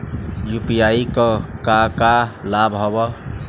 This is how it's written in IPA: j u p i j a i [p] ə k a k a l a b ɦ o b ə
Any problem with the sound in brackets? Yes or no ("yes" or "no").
yes